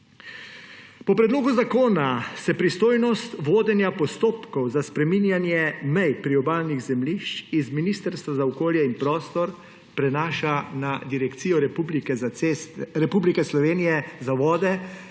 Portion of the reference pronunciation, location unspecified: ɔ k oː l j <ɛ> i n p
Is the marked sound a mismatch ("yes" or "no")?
no